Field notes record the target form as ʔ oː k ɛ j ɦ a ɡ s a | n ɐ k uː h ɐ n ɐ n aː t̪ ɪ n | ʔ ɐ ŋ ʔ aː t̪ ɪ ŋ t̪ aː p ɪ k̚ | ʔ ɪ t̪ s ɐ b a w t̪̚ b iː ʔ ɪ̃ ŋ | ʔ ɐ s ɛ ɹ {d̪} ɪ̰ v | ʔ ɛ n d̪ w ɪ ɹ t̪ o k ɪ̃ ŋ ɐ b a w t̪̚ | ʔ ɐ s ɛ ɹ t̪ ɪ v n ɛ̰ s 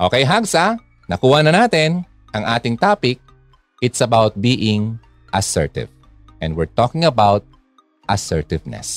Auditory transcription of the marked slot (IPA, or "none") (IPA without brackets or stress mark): t̪